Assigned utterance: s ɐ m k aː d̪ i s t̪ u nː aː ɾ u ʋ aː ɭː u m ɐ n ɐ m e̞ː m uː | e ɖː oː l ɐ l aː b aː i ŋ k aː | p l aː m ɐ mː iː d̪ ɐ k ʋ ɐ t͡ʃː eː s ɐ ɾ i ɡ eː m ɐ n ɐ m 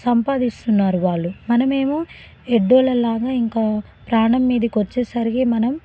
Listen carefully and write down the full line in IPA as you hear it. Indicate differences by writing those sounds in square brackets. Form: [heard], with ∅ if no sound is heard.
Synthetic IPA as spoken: s ɐ m [p] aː d̪ i s t̪ u nː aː ɾ u ʋ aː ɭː u m ɐ n ɐ m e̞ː m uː | e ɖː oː l ɐ l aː [ɡ] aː i ŋ k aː | p [ɾ] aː [ɳ] ɐ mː iː d̪ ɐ k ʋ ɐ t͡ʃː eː s ɐ ɾ i ɡ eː m ɐ n ɐ m